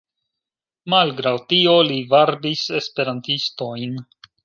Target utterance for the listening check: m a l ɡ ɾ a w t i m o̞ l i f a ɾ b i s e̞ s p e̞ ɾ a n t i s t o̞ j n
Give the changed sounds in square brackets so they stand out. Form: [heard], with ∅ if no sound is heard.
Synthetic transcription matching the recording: m a l ɡ ɾ a w t i [∅] o̞ l i [v] a ɾ b i s e̞ s p e̞ ɾ a n t i s t o̞ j n

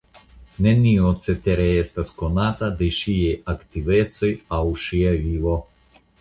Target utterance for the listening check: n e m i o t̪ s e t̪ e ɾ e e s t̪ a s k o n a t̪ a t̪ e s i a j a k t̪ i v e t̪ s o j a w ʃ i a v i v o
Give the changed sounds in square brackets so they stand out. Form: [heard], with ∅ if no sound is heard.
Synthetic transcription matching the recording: n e [n] i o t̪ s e t̪ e ɾ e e s t̪ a s k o n a t̪ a [d̪] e [ʃ] i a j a k t̪ i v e t̪ s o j a w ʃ i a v i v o

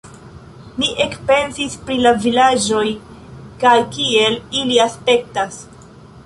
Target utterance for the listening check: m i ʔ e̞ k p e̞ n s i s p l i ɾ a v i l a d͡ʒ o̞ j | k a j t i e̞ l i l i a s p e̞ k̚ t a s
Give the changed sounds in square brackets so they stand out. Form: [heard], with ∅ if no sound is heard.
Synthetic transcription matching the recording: m i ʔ e̞ k p e̞ n s i s p [ɾ] i [l] a v i l a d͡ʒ o̞ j | k a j [k] i e̞ l i l i a s p e̞ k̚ t a s

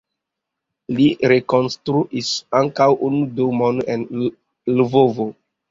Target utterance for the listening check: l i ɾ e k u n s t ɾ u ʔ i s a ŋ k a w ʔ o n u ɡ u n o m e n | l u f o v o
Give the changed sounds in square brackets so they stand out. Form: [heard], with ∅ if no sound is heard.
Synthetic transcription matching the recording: l i ɾ e k [o] n s t ɾ u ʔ i s a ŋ k a w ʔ [u] n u [d] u [m] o [n] e n | l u [v] o v o

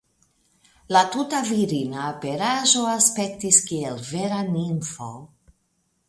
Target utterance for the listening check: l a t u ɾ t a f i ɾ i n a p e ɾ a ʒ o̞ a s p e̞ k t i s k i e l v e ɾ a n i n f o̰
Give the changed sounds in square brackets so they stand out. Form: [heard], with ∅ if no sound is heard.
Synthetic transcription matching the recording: l a t u [∅] t a [v] i ɾ i n a p e ɾ a ʒ o̞ a s p e̞ k t i s k i e l v e ɾ a n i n f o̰

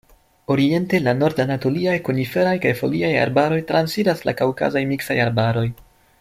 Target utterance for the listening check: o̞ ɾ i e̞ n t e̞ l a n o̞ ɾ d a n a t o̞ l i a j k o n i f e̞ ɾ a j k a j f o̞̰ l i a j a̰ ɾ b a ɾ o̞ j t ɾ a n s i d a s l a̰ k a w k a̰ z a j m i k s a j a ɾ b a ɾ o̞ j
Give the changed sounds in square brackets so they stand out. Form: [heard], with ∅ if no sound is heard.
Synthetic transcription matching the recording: o̞ ɾ i e̞ n t e̞ l a n o̞ ɾ d a n a t o̞ l i a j k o n i f e̞ ɾ a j k a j f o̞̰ l i a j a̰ ɾ b a ɾ o̞ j t ɾ a n s i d a s l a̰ k a w k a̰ z a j m i k s a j a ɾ b a ɾ o̞ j

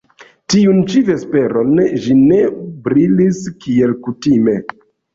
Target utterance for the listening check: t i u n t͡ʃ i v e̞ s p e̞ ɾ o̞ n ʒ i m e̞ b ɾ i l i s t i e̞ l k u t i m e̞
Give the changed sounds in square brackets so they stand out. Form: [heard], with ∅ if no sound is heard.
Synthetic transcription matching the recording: t i u n t͡ʃ i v e̞ s p e̞ ɾ o̞ n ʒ i [n] e̞ b ɾ i l i s [k] i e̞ l k u t i m e̞

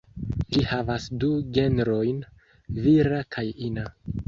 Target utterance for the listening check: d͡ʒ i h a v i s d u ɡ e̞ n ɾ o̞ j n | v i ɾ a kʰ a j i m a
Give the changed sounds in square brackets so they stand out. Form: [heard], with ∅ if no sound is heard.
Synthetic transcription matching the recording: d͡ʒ i h a v [a] s d u ɡ e̞ n ɾ o̞ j n | v i ɾ a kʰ a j i [n] a

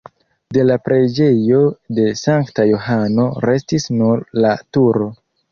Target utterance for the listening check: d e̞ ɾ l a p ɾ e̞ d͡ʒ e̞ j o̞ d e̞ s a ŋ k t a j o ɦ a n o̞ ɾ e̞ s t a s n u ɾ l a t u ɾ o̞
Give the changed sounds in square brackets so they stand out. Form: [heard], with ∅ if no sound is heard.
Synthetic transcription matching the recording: d e̞ [∅] l a p ɾ e̞ d͡ʒ e̞ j o̞ d e̞ s a ŋ k t a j o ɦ a n o̞ ɾ e̞ s t [i] s n u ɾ l a t u ɾ o̞

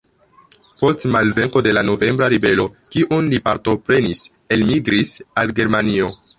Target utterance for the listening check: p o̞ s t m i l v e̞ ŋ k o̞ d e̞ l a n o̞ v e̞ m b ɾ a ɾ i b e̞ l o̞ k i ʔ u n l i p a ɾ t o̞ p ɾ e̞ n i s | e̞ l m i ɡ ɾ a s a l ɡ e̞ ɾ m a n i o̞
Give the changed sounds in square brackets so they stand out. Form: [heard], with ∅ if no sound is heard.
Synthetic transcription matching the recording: p o̞ s t m [a] l v e̞ ŋ k o̞ d e̞ l a n o̞ v e̞ m b ɾ a ɾ i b e̞ l o̞ k i ʔ u n l i p a ɾ t o̞ p ɾ e̞ n i s | e̞ l m i ɡ ɾ [i] s a l ɡ e̞ ɾ m a n i o̞

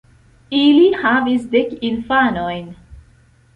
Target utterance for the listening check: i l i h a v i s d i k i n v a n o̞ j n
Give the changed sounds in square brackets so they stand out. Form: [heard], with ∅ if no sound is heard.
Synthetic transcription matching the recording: i l i h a v i s d [e] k i n [f] a n o̞ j n

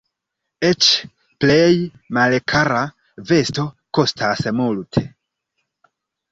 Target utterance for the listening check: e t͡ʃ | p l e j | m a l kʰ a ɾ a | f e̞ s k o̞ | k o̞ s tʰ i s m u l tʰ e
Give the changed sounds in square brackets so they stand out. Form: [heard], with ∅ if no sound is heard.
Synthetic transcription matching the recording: e t͡ʃ | p l e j | m a l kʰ a ɾ a | [v] e̞ s [t] o̞ | k o̞ s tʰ [a] s m u l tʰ e

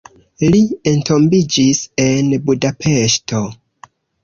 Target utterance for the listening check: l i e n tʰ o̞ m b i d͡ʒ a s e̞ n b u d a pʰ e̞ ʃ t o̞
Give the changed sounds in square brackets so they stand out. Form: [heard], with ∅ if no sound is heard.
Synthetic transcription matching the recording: l i e n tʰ o̞ m b i d͡ʒ [i] s e̞ n b u d a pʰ e̞ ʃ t o̞

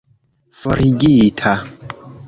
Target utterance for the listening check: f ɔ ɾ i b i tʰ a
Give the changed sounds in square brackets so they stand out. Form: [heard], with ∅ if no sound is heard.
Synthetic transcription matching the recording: f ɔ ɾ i [ɡ] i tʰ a

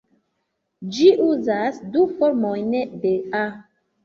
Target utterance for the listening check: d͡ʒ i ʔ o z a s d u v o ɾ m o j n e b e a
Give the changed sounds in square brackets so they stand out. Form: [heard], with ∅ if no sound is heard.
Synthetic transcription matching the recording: d͡ʒ i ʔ [u] z a s d u [f] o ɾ m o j n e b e a

